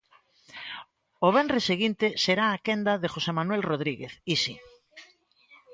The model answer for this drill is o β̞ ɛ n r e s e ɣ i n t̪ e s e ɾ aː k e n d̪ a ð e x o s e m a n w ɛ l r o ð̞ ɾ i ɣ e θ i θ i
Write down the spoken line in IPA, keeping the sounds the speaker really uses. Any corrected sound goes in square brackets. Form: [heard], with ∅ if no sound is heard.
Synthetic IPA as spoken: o β̞ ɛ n r e s e ɣ i n t̪ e s e ɾ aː k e n d̪ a ð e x o s e m a n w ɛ l r o ð̞ ɾ i ɣ e θ i [s] i